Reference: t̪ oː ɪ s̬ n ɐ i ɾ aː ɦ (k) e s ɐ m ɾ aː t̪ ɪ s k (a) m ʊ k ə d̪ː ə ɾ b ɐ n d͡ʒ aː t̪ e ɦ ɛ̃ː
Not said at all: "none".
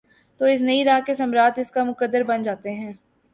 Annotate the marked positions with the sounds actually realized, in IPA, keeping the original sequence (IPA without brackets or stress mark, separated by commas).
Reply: k, a